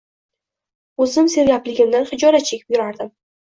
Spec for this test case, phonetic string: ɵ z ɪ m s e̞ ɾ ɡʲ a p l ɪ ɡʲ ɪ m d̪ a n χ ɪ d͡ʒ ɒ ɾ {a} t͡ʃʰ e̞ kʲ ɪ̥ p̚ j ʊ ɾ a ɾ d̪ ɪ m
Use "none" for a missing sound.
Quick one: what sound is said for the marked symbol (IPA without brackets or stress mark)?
a